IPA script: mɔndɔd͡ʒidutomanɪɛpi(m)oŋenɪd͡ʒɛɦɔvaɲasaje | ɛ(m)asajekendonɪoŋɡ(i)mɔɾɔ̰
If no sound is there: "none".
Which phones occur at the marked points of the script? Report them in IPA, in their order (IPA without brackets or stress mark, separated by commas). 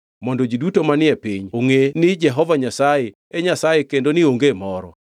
ɲ, ɲ, e